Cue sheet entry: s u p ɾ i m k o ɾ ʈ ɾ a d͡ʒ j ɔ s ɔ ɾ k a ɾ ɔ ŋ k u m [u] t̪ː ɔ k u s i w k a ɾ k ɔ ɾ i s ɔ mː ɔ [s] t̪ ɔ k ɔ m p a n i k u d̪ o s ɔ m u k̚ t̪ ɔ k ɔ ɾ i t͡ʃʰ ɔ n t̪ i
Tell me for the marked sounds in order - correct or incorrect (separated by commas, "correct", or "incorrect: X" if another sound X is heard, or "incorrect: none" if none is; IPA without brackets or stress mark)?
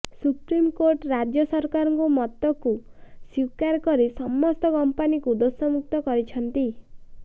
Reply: incorrect: ɔ, correct